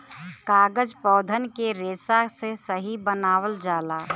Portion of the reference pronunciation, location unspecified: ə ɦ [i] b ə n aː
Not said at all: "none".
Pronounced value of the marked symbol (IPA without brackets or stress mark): i